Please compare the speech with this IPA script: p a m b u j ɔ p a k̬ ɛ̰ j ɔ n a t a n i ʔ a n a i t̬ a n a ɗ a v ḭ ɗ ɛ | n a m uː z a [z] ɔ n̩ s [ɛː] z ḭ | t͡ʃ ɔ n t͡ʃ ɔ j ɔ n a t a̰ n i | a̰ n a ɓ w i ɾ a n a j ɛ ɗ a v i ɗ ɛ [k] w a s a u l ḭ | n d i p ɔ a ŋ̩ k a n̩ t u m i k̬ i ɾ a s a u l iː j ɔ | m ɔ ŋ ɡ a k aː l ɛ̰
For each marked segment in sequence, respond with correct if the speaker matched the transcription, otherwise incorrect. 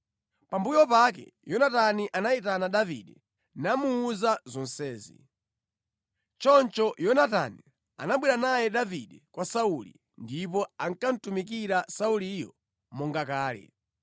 correct, correct, correct

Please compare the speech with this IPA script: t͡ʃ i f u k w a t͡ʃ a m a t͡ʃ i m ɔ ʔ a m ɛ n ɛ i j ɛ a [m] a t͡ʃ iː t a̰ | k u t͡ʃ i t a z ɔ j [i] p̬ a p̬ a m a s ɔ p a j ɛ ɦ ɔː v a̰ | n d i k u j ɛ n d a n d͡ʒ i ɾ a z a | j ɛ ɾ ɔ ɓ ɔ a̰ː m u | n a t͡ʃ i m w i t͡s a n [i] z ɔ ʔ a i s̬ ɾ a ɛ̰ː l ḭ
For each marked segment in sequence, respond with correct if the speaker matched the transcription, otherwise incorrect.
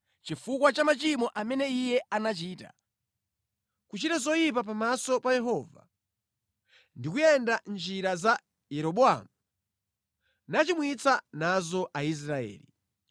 incorrect, correct, incorrect

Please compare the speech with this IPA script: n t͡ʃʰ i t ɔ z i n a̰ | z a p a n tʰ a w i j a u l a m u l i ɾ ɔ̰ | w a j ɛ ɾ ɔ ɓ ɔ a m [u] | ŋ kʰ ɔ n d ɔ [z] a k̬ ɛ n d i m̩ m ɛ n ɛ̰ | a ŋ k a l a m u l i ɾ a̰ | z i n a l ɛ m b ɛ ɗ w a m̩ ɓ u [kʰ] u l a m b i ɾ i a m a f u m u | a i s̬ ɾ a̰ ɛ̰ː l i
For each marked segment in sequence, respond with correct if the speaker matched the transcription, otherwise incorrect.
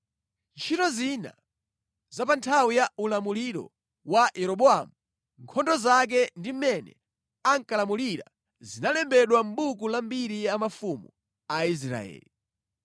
correct, correct, incorrect

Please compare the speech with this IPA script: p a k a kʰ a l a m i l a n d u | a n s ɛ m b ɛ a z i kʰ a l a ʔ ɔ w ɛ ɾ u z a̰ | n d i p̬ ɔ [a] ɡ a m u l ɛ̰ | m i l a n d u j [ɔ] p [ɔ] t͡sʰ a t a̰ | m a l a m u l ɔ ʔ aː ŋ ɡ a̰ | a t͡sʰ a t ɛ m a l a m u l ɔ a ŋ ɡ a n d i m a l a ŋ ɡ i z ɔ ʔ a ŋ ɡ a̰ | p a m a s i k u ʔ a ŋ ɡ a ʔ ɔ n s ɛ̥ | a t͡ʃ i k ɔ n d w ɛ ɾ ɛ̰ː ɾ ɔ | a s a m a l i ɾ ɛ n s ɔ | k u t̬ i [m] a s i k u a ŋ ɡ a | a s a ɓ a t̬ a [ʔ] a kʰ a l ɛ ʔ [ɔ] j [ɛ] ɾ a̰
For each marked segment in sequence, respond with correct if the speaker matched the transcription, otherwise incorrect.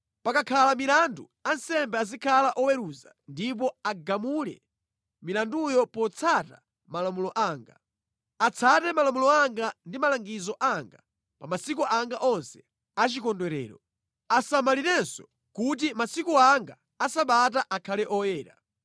correct, correct, correct, correct, correct, correct, incorrect

